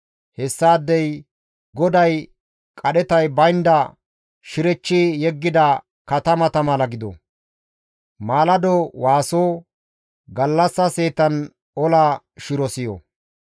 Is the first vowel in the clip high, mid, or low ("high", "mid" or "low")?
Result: mid